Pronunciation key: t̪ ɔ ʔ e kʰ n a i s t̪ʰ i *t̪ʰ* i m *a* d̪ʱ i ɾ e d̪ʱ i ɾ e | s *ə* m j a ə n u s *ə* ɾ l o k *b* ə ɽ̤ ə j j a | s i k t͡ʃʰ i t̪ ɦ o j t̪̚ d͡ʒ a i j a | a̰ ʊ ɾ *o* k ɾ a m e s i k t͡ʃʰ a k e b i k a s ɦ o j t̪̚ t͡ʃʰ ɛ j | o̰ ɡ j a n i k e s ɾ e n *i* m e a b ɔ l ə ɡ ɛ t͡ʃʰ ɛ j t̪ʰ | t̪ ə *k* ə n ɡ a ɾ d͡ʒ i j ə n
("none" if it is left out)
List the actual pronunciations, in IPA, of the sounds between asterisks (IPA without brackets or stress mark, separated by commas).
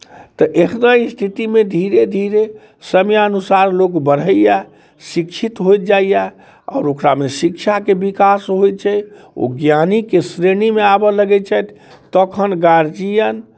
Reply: t̪, e, ə, a, b, o, i, kʰ